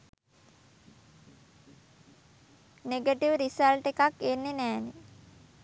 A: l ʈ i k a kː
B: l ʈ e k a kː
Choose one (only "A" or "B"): B